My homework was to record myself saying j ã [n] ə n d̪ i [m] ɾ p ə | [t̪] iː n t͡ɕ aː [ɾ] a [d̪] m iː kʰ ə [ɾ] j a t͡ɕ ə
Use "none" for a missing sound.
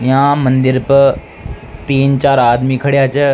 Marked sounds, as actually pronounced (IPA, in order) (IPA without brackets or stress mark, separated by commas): m, none, t̪, ɾ, d̪, ɽ